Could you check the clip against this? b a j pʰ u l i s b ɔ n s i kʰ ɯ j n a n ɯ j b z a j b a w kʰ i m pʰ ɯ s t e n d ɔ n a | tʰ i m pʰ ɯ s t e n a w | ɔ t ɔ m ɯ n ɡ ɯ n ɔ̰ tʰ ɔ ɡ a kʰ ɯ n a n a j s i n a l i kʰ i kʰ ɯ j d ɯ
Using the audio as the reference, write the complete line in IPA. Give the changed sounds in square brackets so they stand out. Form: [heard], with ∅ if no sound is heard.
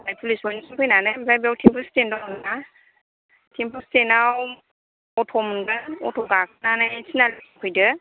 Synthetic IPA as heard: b a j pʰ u l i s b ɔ n s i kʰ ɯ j n a n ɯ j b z a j b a w [tʰ] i m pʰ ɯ s t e n d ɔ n a | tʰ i m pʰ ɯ s t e n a w | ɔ [tʰ] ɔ m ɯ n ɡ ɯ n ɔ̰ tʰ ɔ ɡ a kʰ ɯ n a n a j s i n a l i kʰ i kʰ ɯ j d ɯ